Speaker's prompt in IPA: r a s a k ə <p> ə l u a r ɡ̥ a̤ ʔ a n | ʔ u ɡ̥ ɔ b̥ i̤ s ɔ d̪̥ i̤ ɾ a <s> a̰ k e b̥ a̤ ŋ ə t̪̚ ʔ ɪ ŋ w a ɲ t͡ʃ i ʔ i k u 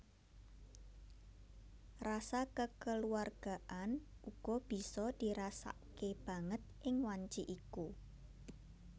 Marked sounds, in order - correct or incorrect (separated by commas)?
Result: incorrect, correct